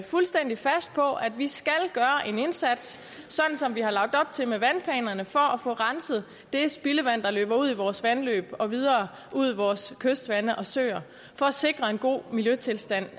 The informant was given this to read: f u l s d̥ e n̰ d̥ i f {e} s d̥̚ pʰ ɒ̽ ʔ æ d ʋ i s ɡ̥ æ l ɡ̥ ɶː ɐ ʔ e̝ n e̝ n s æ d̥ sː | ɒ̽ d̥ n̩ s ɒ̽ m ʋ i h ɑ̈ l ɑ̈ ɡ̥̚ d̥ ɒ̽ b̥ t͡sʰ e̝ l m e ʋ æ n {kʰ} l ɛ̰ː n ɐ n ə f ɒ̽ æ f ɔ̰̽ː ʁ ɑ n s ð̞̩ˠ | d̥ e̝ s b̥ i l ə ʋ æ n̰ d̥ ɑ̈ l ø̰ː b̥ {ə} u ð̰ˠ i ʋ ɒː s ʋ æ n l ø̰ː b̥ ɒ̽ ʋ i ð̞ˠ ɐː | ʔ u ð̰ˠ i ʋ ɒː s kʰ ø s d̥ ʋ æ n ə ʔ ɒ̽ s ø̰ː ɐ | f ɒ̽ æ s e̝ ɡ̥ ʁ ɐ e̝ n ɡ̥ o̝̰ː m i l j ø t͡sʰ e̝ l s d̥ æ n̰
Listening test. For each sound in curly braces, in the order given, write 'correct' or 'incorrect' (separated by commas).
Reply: incorrect, incorrect, incorrect